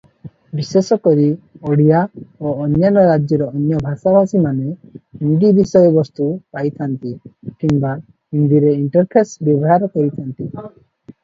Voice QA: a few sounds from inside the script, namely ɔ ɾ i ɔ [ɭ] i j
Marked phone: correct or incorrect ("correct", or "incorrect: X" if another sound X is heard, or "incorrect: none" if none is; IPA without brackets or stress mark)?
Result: incorrect: ɽ